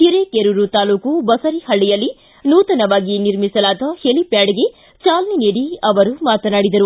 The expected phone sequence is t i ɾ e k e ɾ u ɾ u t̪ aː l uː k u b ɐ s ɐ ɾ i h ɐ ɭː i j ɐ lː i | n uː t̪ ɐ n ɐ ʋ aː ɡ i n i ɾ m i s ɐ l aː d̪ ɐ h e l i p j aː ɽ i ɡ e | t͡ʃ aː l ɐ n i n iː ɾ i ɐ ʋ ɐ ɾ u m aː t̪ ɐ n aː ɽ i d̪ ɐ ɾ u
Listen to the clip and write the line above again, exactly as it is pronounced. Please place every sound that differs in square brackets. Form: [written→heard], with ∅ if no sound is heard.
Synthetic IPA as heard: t i ɾ e k e ɾ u ɾ u t̪ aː l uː k u b ɐ s ɐ ɾ i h ɐ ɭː i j ɐ lː i | n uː t̪ ɐ n ɐ ʋ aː ɡ i n i ɾ m i s ɐ l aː d̪ ɐ h e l i p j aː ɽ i ɡ e | t͡ʃ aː l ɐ n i n iː [ɾ→ɽ] i ɐ ʋ ɐ ɾ u m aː t̪ ɐ n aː ɽ i d̪ ɐ ɾ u